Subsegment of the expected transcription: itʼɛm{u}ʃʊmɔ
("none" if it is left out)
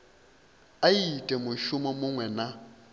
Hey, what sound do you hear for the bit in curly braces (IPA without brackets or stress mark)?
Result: ʊ